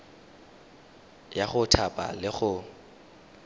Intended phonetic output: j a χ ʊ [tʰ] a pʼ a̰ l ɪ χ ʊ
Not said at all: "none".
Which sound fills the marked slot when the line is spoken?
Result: tʰ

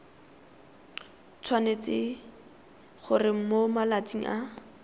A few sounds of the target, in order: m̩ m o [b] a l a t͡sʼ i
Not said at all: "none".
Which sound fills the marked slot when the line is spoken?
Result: m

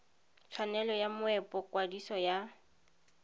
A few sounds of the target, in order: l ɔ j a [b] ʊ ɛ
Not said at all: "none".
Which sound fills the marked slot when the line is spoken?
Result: m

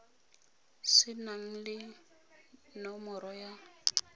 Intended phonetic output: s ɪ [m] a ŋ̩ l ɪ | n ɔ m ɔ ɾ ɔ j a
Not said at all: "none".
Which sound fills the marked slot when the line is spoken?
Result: n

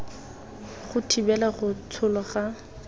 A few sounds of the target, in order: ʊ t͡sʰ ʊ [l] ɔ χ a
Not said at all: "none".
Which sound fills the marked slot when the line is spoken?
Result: l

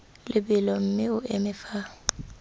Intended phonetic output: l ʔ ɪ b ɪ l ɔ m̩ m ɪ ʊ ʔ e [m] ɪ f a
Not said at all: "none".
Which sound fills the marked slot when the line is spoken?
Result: m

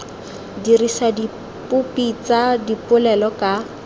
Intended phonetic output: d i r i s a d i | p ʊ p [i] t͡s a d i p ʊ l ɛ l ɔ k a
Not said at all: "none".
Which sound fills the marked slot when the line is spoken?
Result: i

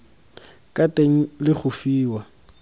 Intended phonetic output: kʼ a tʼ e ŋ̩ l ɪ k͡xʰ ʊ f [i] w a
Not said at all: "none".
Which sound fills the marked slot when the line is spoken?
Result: iː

